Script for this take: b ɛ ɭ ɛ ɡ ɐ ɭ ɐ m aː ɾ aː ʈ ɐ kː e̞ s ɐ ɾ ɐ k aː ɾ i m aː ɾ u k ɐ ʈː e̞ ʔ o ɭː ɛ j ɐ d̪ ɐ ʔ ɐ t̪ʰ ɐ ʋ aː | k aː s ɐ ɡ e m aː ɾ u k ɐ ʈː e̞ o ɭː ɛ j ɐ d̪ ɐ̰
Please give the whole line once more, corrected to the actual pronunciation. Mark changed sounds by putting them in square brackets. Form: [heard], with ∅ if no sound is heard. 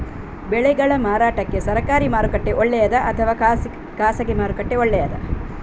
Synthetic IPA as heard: b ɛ ɭ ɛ ɡ ɐ ɭ ɐ m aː ɾ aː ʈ ɐ kː e̞ s ɐ ɾ ɐ k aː ɾ i m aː ɾ u k ɐ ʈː e̞ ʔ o ɭː ɛ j ɐ d̪ ɐ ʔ ɐ t̪ʰ ɐ ʋ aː | k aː s ɐ ɡ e m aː ɾ u k ɐ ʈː e̞ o ɭː ɛ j ɐ d̪ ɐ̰